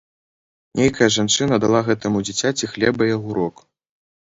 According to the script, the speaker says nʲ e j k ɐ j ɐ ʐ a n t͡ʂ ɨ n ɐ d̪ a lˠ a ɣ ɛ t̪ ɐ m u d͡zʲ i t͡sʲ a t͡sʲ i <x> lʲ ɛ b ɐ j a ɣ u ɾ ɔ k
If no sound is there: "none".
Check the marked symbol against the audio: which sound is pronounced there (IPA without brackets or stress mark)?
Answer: x